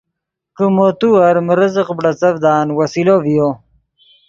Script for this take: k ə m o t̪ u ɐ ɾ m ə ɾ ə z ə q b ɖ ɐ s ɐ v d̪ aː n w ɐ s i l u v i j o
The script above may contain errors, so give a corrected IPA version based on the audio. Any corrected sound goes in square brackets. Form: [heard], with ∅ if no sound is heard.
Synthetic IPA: k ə m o t̪ u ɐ ɾ m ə ɾ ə z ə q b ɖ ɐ [t͡s] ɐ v d̪ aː n w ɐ s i l [o] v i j o